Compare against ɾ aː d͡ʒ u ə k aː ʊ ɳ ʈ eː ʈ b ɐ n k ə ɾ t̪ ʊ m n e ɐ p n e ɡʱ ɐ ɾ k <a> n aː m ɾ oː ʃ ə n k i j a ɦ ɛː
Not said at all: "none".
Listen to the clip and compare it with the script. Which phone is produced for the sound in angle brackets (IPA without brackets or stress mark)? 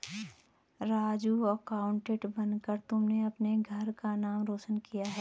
a